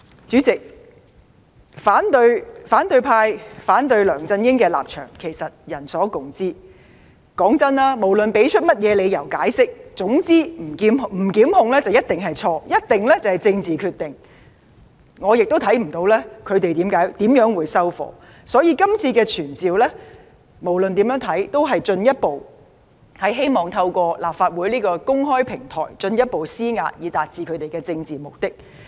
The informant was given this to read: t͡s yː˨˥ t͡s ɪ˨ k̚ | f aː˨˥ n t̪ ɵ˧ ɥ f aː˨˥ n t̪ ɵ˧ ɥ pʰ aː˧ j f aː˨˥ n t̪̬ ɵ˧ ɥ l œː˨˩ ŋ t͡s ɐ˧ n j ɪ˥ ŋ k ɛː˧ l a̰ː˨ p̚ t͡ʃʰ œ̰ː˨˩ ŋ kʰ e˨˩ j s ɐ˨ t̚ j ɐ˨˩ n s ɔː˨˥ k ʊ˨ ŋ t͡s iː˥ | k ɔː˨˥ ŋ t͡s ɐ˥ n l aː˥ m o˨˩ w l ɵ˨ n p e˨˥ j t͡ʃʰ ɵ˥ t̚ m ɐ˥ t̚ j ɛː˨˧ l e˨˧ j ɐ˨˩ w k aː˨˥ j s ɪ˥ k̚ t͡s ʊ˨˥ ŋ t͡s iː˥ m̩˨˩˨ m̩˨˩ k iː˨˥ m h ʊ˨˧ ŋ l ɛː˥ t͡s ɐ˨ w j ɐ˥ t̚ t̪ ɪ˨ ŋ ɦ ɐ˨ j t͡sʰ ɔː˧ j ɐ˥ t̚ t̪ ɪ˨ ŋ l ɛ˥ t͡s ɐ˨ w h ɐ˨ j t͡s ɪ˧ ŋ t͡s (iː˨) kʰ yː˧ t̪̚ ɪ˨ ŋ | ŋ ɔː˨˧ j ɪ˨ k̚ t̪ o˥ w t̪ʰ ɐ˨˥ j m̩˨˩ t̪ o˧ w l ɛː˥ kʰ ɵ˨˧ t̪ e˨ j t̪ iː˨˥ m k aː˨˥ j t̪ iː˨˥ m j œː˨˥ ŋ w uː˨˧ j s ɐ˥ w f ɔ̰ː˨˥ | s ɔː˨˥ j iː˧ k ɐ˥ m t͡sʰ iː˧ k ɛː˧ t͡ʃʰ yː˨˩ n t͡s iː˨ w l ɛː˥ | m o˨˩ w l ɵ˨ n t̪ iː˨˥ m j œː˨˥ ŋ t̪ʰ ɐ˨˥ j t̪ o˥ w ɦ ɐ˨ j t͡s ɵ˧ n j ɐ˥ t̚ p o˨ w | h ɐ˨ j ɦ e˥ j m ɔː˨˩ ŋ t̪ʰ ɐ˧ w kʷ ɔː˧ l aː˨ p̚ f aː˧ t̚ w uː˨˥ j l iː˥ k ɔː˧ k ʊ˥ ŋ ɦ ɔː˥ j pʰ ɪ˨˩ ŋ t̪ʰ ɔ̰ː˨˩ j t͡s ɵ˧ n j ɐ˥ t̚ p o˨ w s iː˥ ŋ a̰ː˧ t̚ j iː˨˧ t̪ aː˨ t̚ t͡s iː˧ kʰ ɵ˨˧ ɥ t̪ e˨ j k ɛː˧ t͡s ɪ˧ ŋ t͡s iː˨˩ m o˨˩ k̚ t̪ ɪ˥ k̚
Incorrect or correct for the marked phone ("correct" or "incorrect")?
correct